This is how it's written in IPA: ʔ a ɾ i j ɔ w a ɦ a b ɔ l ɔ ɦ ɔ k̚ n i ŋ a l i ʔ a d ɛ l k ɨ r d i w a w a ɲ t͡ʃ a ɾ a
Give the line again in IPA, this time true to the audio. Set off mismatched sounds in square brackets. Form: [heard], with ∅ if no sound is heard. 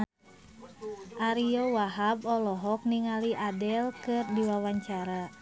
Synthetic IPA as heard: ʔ a ɾ i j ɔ w a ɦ a b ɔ l ɔ ɦ ɔ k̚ n i ŋ a l i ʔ a d ɛ l k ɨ r d i w a w a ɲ t͡ʃ a ɾ a